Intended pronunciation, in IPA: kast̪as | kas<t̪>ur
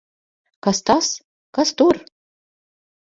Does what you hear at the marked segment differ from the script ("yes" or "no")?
no